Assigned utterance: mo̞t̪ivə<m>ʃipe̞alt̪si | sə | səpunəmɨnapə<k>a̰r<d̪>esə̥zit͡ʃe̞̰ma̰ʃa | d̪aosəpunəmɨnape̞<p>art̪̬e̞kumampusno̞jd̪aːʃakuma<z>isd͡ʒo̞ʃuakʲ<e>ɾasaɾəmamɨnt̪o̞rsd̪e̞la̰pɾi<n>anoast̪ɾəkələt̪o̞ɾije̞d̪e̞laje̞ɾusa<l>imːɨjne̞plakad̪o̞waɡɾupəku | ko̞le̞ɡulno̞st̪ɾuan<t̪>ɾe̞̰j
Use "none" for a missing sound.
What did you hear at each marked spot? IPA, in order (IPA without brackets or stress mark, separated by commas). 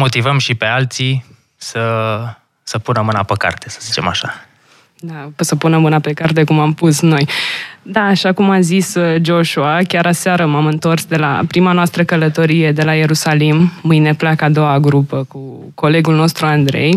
m, k, t̪, k, z, a, m, l, d̪